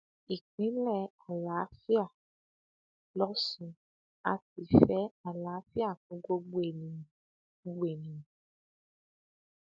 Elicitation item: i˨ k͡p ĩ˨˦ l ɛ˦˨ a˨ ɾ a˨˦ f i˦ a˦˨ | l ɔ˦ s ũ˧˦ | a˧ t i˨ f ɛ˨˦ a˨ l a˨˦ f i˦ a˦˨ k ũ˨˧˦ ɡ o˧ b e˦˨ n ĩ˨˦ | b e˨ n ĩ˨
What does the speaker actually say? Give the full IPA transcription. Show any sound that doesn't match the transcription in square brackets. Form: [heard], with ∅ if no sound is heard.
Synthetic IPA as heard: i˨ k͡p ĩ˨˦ l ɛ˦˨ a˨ [l] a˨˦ f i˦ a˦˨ | l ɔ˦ s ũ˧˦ | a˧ t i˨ f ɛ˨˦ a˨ l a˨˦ f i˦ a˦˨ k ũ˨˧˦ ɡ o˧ [ɡ͡b] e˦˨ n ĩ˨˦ | [ɡ͡b] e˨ n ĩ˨